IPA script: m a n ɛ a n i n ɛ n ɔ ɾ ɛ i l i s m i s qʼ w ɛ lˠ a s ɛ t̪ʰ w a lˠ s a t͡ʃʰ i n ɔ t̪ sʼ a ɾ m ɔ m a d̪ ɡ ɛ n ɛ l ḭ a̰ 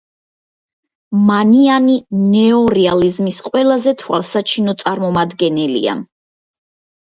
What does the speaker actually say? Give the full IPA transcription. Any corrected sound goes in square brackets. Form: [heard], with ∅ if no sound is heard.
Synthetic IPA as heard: m a n [i] a n i n ɛ [∅] ɔ ɾ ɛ [a] l i [z] m i s qʼ w ɛ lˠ a [z] ɛ t̪ʰ w a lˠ s a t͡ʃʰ i n ɔ t̪ sʼ a ɾ m ɔ m a d̪ ɡ ɛ n ɛ l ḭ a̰